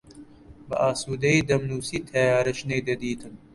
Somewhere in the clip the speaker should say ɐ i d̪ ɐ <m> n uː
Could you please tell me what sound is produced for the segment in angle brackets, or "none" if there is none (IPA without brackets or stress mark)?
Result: m